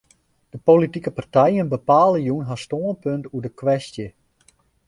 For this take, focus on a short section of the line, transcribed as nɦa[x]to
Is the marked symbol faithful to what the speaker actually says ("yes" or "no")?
no